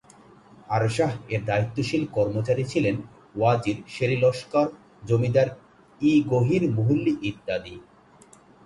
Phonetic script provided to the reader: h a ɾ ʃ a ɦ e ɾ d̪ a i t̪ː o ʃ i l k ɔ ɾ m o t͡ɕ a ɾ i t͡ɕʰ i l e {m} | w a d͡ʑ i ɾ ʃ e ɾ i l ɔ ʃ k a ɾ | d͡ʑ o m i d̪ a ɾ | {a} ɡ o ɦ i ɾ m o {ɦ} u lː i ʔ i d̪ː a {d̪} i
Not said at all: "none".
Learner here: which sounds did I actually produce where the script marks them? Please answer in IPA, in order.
n, i, ɦ, d̪

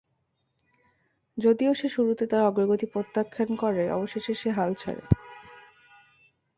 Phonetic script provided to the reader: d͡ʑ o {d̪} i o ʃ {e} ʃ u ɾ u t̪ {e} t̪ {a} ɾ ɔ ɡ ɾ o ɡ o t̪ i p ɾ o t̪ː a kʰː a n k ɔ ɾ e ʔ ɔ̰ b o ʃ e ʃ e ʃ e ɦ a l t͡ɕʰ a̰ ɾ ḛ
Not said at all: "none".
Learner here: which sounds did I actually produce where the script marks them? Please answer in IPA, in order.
d̪, e, e, a

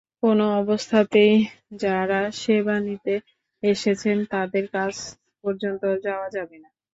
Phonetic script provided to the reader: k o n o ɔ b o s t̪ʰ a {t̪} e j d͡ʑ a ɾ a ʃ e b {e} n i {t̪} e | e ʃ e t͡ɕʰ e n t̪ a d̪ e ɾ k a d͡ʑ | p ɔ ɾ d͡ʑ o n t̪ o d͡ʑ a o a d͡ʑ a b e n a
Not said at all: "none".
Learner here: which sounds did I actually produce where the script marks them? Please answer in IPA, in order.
t̪, a, t̪

